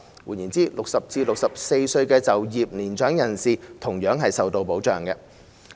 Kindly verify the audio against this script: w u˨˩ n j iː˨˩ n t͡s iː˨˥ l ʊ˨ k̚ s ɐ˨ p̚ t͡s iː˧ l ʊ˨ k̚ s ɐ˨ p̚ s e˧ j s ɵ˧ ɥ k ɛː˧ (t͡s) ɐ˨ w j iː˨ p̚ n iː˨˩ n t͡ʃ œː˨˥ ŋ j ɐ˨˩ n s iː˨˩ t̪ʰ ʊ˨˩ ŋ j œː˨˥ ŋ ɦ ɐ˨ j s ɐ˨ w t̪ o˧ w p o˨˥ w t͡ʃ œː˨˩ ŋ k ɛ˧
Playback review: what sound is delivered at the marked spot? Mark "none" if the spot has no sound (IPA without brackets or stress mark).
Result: t͡s